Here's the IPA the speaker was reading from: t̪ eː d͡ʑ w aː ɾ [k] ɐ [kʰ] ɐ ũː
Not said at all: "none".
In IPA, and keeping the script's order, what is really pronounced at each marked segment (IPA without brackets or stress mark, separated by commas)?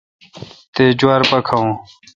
p, kʰ